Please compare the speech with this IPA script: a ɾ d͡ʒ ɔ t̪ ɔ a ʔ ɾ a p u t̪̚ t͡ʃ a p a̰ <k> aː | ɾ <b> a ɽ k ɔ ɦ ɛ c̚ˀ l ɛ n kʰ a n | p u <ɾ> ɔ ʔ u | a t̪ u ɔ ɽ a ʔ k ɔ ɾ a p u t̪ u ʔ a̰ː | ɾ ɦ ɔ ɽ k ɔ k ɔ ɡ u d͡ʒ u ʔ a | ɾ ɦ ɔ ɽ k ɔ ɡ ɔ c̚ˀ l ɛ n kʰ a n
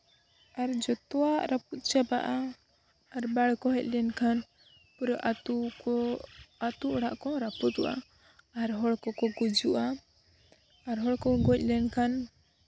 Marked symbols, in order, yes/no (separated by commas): no, yes, yes